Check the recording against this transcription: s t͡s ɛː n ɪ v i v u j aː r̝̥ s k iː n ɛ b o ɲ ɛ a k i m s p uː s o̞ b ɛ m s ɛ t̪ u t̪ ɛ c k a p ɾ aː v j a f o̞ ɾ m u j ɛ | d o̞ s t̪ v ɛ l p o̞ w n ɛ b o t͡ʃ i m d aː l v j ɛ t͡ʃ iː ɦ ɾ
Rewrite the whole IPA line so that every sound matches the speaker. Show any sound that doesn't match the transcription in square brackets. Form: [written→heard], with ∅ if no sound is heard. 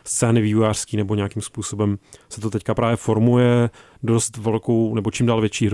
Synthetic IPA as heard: s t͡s ɛː n ɪ v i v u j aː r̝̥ s k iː n ɛ b o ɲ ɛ a k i m s p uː s o̞ b ɛ m s ɛ t̪ [u→o] t̪ ɛ c k a p ɾ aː v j [a→ɛ] f o̞ ɾ m u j ɛ | d o̞ s t̪ v ɛ l [p→k] o̞ w n ɛ b o t͡ʃ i m d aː l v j ɛ t͡ʃ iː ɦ ɾ